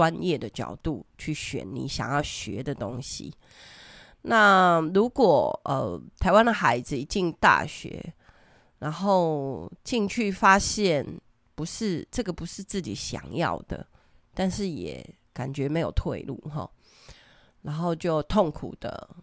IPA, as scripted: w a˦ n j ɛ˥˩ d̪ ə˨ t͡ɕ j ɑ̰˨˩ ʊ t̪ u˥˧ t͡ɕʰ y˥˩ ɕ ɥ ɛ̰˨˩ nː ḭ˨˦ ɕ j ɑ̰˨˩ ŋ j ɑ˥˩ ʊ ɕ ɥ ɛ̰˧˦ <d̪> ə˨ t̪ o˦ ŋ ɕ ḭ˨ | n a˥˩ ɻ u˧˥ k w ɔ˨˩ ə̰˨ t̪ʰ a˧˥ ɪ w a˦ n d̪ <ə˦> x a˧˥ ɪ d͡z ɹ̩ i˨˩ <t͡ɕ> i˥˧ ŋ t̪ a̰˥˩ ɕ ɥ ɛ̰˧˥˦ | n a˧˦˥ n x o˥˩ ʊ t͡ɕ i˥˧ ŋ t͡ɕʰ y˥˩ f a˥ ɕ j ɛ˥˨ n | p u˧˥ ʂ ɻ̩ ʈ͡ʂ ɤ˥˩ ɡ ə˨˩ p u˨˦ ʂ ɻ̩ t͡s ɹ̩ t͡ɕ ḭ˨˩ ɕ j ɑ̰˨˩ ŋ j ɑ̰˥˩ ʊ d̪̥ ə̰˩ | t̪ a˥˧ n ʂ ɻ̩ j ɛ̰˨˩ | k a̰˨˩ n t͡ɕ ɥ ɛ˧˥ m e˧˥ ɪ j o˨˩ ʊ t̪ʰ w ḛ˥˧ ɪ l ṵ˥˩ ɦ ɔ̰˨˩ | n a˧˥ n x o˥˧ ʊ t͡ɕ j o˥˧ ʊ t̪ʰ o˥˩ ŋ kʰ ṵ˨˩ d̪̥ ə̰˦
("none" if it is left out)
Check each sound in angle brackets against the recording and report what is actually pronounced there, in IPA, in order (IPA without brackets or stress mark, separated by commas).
d̪, ə˨, t͡ɕ